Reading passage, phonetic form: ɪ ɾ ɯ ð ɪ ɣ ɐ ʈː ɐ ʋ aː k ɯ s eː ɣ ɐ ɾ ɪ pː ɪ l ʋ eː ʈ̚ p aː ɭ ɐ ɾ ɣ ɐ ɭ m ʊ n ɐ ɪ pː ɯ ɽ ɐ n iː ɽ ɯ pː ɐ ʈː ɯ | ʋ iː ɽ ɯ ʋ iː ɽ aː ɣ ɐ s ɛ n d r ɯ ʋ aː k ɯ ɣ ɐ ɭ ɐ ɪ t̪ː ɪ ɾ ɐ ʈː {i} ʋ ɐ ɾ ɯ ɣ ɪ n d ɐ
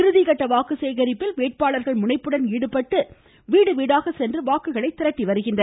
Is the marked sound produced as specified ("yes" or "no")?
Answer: yes